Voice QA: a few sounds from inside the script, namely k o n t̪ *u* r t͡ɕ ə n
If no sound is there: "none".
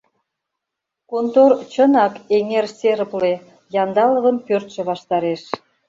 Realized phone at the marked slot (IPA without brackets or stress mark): o